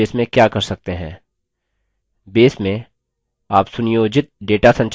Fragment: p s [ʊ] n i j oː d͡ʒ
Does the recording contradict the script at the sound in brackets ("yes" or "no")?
no